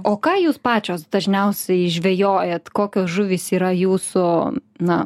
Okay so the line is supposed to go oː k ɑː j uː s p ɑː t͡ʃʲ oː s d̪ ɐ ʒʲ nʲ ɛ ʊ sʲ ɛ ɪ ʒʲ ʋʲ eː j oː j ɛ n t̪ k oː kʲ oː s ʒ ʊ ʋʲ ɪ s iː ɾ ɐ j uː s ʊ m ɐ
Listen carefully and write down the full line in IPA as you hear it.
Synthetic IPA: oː k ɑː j uː s p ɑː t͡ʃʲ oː s d̪ ɐ ʒʲ nʲ ɛ ʊ sʲ ɛ ɪ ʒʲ ʋʲ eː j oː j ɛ t̪ k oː kʲ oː s ʒ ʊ ʋʲ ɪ s iː ɾ ɐ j uː s ʊ n ɐ